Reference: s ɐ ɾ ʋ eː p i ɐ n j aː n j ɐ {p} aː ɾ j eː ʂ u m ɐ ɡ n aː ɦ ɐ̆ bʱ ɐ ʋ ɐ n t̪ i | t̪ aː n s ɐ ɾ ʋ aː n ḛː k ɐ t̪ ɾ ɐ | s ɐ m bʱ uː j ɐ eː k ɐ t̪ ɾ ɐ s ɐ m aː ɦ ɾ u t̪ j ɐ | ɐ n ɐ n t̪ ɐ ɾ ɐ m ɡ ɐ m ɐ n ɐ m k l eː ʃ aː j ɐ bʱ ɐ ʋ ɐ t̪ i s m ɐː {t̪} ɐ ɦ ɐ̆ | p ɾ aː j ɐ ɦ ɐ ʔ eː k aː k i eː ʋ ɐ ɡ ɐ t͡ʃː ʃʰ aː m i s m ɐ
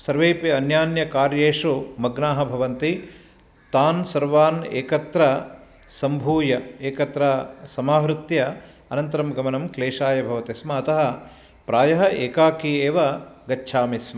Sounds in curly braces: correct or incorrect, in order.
incorrect, correct

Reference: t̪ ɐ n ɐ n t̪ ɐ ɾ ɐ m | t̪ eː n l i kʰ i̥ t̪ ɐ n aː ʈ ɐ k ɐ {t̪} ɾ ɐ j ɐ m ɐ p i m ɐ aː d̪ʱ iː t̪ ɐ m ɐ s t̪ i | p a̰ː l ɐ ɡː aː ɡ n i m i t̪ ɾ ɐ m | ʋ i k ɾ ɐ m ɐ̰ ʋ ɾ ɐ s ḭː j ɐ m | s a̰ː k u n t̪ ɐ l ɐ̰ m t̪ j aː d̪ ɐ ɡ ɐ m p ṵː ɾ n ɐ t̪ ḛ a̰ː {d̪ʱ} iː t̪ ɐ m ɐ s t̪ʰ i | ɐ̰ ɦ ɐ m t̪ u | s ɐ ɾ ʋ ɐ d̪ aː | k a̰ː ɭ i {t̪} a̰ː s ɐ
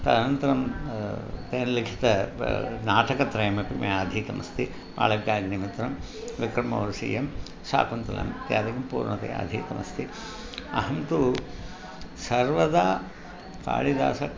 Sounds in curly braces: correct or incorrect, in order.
correct, correct, incorrect

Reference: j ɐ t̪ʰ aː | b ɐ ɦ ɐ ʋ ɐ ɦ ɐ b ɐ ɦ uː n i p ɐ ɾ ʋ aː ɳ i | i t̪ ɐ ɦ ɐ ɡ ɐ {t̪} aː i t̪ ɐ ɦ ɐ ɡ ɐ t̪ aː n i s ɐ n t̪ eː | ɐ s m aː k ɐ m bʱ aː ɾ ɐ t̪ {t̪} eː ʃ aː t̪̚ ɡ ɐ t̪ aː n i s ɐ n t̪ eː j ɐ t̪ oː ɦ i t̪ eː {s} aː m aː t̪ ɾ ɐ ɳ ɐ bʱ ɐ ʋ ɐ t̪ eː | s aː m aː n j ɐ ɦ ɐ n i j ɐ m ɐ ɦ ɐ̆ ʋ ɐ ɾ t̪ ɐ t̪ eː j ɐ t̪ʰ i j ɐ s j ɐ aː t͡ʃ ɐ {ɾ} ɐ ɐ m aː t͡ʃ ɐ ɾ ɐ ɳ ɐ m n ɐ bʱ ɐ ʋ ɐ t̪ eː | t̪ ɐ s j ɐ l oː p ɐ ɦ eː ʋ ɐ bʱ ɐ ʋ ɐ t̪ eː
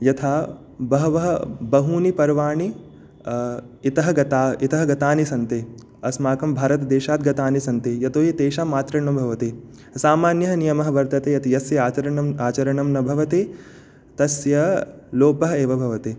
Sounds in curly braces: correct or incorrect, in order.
correct, incorrect, incorrect, correct

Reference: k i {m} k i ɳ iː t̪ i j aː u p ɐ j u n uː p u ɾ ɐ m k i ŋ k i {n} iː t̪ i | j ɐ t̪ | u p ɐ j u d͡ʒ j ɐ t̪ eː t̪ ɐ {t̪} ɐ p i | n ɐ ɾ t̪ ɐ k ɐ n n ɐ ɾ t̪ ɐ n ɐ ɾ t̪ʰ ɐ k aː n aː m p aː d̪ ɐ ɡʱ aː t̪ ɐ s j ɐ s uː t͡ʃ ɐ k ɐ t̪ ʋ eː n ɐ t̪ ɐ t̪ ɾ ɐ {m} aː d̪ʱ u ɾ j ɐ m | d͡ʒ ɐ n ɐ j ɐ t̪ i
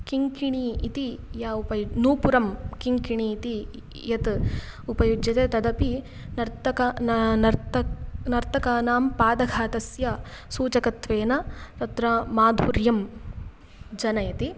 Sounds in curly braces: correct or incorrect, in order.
incorrect, incorrect, incorrect, correct

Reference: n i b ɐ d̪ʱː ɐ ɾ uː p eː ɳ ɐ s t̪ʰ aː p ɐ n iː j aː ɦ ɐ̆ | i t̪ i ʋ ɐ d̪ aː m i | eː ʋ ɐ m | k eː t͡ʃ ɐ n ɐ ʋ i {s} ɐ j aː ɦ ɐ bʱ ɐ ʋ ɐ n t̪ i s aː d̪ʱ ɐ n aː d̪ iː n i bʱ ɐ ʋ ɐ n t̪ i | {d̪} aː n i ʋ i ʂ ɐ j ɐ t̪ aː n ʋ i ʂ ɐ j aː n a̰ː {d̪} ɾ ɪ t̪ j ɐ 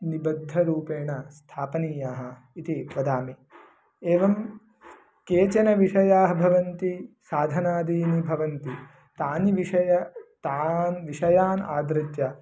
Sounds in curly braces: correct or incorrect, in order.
incorrect, incorrect, correct

